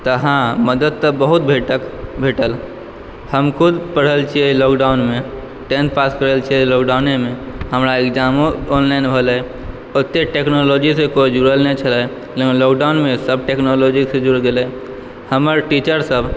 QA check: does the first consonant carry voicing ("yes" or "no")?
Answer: no